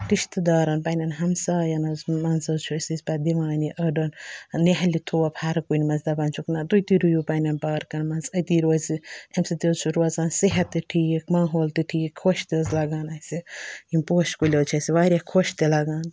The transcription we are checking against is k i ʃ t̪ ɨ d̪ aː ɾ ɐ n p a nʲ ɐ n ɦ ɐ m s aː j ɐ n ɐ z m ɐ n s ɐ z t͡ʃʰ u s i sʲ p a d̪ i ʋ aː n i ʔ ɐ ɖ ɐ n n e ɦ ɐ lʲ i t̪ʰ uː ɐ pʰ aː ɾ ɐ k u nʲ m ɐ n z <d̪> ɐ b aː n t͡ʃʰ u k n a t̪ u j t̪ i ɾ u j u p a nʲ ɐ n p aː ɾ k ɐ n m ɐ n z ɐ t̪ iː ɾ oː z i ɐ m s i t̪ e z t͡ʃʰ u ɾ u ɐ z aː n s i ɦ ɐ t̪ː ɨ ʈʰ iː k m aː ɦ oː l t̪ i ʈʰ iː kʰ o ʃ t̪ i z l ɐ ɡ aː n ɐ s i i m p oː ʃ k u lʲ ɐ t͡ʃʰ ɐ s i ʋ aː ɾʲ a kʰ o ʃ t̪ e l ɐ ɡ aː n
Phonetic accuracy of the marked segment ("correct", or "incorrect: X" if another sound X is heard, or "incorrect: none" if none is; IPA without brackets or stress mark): correct